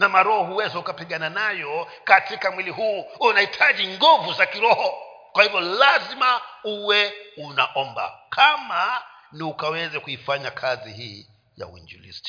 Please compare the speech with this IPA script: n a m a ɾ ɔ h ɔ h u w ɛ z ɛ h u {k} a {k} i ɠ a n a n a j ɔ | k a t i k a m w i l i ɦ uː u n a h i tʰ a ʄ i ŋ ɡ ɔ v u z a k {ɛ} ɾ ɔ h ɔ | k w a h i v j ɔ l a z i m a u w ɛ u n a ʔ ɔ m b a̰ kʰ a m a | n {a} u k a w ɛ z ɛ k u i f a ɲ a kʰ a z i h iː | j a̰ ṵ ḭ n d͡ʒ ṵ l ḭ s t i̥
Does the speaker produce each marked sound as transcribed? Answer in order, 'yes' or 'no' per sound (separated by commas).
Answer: yes, no, no, no